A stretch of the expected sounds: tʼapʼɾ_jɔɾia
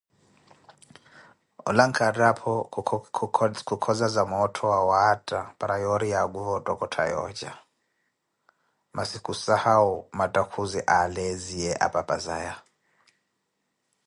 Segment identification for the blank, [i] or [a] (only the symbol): a